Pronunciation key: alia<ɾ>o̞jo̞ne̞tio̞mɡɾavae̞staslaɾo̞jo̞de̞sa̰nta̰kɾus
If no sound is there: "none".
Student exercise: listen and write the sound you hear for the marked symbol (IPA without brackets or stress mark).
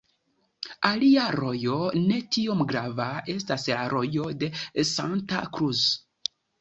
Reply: ɾ